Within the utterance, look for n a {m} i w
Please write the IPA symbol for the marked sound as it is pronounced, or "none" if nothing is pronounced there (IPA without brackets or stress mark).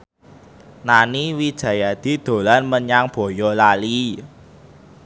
n